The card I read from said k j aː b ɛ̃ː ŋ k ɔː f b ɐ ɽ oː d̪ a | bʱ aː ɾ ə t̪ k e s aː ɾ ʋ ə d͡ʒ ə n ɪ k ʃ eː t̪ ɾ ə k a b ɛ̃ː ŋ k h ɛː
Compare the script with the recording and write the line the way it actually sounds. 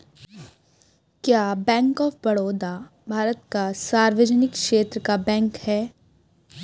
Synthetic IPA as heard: k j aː b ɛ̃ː ŋ k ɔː f b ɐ ɽ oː d̪ a | bʱ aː ɾ ə t̪ k a s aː ɾ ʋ ə d͡ʒ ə n ɪ k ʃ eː t̪ ɾ ə k a b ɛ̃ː ŋ k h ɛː